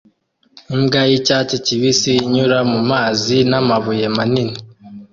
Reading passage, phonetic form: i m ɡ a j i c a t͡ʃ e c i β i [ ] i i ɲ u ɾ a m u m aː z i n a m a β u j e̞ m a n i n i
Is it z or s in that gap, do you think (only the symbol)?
s